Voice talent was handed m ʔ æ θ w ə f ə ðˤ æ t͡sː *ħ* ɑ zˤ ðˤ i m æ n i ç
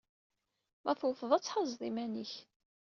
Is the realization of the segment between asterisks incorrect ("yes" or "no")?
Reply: no